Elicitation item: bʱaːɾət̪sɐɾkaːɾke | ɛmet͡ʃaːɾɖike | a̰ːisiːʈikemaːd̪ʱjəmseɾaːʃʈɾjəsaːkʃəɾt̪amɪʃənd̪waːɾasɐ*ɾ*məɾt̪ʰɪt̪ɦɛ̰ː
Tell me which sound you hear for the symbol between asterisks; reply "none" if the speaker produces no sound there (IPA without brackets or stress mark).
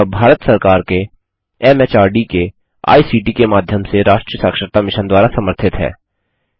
none